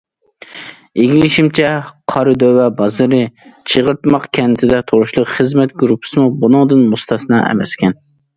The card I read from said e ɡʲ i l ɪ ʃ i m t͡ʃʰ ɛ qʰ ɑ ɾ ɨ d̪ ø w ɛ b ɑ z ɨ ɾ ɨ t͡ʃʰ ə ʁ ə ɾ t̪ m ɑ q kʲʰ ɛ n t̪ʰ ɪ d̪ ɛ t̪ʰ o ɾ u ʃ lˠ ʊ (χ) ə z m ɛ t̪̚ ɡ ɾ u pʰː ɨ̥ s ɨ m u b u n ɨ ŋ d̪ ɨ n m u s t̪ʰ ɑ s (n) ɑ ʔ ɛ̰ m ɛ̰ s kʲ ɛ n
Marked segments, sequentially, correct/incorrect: correct, correct

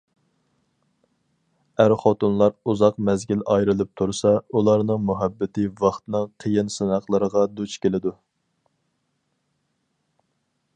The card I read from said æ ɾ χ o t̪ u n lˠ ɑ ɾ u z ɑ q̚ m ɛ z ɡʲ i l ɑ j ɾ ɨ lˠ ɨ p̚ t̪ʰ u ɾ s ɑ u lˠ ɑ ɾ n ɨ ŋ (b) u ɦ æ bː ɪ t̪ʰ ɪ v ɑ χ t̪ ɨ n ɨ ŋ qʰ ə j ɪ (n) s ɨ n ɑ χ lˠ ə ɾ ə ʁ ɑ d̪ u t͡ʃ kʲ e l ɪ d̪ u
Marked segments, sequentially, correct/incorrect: incorrect: m, correct

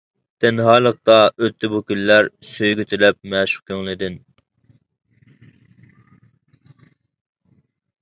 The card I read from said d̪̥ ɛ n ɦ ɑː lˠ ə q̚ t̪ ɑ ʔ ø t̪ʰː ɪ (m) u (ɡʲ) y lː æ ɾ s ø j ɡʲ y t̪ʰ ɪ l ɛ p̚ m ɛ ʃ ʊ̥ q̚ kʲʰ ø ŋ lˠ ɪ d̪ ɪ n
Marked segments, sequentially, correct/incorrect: incorrect: b, incorrect: kʲ

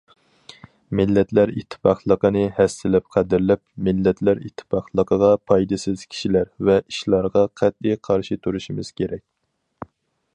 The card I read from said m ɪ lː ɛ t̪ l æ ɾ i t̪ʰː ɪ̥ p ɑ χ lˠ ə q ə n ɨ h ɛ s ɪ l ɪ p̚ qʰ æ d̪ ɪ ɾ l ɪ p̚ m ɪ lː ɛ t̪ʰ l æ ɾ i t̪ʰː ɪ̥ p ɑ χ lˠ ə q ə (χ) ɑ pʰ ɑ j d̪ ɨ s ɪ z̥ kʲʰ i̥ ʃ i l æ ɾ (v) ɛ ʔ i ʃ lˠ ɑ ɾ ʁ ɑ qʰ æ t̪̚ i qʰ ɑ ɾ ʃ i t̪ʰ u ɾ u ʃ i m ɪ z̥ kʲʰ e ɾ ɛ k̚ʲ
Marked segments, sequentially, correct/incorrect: incorrect: ʁ, correct

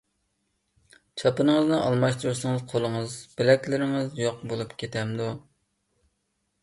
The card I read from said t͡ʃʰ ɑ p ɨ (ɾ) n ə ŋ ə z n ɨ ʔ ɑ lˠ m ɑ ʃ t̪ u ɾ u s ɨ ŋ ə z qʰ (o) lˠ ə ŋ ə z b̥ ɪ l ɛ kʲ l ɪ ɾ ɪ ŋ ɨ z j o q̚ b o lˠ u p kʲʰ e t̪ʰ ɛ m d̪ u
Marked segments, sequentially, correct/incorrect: incorrect: none, correct

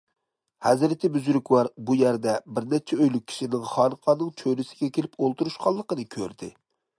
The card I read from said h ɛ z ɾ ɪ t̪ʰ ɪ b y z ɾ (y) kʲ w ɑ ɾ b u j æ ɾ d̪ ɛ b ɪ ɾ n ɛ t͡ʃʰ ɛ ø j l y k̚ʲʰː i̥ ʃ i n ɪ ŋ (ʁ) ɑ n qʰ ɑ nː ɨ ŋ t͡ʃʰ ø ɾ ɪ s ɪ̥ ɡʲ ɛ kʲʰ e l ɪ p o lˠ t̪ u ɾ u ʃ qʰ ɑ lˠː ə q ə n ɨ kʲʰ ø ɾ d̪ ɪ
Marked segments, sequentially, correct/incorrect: correct, incorrect: χ

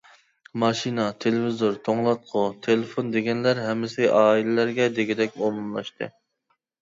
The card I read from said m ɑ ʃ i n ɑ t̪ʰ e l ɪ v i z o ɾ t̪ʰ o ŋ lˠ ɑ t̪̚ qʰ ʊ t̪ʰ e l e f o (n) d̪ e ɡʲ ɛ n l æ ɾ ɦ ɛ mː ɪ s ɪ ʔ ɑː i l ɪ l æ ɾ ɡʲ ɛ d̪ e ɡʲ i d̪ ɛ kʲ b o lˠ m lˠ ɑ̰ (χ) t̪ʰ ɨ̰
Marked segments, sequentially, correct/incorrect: correct, incorrect: ʃ

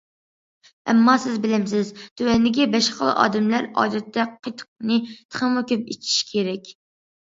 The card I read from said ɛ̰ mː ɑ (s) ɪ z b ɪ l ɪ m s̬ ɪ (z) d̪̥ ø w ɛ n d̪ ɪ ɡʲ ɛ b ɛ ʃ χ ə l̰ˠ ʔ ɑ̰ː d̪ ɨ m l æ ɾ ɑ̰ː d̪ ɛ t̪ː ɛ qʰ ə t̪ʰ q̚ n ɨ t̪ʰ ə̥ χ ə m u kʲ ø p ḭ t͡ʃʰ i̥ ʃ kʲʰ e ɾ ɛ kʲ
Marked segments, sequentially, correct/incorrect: correct, correct

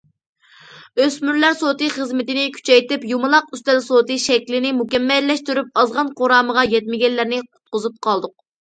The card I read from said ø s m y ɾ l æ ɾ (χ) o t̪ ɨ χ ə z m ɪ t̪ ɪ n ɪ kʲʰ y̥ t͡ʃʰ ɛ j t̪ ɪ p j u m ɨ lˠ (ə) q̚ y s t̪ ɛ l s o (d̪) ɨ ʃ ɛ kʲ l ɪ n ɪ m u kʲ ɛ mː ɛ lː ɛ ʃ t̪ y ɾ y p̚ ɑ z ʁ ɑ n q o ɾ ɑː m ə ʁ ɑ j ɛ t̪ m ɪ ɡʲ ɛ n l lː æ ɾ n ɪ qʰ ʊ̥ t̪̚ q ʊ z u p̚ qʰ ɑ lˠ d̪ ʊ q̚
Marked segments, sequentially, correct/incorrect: incorrect: s, incorrect: ɑ, incorrect: t̪

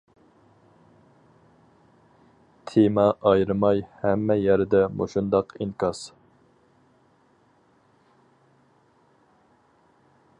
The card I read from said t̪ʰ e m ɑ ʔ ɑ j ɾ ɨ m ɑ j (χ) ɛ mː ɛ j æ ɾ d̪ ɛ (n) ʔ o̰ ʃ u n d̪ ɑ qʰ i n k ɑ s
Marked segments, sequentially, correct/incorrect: incorrect: h, incorrect: m

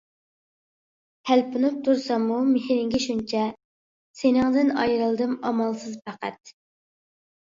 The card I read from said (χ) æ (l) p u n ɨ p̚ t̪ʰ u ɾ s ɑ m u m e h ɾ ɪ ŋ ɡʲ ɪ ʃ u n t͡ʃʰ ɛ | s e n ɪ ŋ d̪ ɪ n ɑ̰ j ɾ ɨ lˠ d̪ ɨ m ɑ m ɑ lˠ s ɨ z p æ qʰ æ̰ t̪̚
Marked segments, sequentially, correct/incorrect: incorrect: h, correct

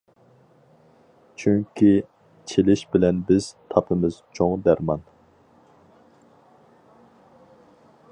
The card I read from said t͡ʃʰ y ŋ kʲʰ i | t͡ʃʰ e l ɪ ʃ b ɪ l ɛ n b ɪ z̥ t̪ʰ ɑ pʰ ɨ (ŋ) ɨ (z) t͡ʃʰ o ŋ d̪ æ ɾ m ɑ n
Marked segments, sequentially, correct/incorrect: incorrect: m, correct

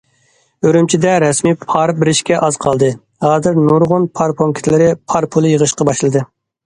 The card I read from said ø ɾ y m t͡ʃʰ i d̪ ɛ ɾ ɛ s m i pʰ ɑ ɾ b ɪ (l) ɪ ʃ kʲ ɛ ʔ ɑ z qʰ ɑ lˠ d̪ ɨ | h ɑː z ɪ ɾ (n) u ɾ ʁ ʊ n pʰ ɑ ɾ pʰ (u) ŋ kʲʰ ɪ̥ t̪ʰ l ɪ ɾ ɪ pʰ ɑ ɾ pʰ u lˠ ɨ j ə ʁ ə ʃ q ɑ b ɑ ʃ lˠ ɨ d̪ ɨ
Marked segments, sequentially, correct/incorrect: incorrect: ɾ, correct, incorrect: o

